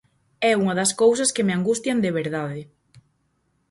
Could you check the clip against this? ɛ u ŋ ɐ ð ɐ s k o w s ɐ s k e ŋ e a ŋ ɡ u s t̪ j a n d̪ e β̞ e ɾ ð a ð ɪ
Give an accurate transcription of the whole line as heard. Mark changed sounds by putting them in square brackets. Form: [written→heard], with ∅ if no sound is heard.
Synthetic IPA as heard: ɛ u ŋ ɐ ð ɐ s k o w s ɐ s k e [ŋ→m] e a ŋ ɡ u s t̪ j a n d̪ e β̞ e ɾ ð a ð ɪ